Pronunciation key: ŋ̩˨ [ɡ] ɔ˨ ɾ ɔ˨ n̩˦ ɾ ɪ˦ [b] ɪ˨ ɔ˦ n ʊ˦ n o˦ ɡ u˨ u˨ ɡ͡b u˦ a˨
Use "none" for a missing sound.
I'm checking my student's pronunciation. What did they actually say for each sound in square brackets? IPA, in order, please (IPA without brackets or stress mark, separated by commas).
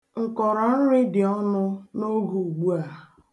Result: k, d